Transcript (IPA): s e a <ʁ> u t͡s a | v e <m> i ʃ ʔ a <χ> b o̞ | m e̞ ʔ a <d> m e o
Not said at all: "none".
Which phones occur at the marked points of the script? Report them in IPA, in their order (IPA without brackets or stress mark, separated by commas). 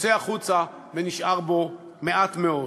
χ, n, ʁ, t